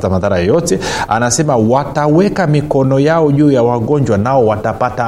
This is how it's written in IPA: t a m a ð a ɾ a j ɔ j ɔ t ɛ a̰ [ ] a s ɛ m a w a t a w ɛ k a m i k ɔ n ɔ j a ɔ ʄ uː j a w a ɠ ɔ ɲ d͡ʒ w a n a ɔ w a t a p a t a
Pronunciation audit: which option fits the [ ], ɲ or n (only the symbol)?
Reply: n